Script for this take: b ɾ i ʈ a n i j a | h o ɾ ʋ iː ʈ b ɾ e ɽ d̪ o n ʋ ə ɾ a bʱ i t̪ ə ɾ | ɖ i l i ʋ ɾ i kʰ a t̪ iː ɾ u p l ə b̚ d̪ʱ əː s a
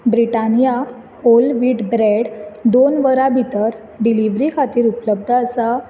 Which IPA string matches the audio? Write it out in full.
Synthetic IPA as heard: b ɾ i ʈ a n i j a | h o l ʋ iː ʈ b ɾ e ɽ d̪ o n ʋ ə ɾ a bʱ i t̪ ə ɾ | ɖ i l i ʋ ɾ i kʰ a t̪ iː ɾ u p l ə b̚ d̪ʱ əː s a